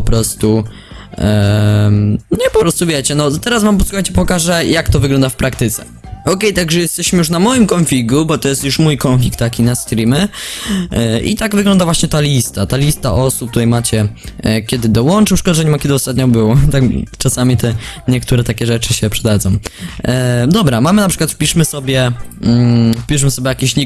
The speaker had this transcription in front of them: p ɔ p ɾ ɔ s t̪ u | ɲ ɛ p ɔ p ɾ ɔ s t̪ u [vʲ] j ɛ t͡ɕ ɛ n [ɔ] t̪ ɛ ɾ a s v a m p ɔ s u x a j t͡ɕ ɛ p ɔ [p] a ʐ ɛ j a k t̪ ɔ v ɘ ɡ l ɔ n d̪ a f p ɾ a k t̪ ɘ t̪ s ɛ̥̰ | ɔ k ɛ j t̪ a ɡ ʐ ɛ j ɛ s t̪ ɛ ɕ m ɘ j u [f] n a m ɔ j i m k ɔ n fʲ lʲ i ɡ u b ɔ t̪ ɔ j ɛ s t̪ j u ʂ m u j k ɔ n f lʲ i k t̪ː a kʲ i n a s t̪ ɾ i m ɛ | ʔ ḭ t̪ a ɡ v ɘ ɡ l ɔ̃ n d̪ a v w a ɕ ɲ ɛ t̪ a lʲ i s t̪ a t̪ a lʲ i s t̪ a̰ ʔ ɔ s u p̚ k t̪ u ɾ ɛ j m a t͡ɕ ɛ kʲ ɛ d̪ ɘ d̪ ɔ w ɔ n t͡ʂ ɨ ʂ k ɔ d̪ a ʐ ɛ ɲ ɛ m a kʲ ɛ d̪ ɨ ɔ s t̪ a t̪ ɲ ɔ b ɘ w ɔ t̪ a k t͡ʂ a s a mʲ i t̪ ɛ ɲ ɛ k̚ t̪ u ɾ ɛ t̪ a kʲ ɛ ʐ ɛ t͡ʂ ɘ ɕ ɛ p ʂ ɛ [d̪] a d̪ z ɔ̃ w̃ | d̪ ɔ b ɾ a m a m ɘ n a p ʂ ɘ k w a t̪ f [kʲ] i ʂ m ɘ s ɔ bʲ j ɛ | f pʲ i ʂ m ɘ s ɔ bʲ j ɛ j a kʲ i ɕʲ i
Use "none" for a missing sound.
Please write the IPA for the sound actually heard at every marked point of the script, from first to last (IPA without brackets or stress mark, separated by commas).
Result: vʲ, ɔ, k, ʂ, d̪, pʲ